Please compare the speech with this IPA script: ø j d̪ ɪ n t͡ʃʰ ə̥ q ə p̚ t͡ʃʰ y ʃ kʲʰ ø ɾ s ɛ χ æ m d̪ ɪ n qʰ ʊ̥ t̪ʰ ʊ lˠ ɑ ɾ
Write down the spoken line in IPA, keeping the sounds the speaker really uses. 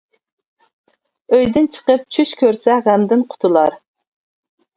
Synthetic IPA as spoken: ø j d̪ ɪ n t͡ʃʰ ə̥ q ə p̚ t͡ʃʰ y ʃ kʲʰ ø ɾ s ɛ ʁ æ m d̪ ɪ n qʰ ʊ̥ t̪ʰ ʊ lˠ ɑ ɾ